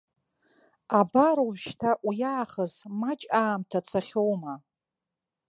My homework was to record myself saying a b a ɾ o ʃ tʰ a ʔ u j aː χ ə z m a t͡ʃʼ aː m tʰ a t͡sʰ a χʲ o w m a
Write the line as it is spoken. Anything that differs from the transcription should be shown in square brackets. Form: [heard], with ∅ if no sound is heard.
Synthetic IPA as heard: a b a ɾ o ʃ tʰ a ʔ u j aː χ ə z m a t͡ʃʼ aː m tʰ a t͡sʰ a χʲ o w m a